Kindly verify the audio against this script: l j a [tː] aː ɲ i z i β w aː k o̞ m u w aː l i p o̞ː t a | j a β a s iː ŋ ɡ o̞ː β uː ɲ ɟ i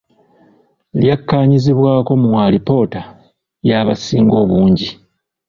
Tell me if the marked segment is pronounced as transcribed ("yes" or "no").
no